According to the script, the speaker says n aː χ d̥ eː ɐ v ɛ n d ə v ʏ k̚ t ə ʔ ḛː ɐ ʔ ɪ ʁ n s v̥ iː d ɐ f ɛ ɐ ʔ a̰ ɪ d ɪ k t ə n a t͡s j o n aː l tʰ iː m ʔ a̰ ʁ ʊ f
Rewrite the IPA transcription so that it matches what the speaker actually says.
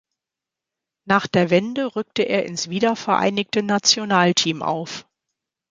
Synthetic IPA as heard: n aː χ d̥ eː ɐ v ɛ n d ə ʁ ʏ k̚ t ə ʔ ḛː ɐ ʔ ɪ n s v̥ iː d ɐ f ɛ ɐ ʔ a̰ ɪ n ɪ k t ə n a t͡s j o n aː l tʰ iː m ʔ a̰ ʊ f